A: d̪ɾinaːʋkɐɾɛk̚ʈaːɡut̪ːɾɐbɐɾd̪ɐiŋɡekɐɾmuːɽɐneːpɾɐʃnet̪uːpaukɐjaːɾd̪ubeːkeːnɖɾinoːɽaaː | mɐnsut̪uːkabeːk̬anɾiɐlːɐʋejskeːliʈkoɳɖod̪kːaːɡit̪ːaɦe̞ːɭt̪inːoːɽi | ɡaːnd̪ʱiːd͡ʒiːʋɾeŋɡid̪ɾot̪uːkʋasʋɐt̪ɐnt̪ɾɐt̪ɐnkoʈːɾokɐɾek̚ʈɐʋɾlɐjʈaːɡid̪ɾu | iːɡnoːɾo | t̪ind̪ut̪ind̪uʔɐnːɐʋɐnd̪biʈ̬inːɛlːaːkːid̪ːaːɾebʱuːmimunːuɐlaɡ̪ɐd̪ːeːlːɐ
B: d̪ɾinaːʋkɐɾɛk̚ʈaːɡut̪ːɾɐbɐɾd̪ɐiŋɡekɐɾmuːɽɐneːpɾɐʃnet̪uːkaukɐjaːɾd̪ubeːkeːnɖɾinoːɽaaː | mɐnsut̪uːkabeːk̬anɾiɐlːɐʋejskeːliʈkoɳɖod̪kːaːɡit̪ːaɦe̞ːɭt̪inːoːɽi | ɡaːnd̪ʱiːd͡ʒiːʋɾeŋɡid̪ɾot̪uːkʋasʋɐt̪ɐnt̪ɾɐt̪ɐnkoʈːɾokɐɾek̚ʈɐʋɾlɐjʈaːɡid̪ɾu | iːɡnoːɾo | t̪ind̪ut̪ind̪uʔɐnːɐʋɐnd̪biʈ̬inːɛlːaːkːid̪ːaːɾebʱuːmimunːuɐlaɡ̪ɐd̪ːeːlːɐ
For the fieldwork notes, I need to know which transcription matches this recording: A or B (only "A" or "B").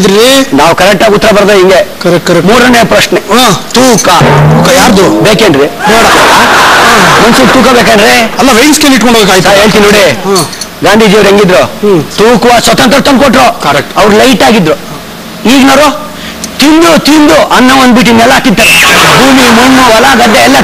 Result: B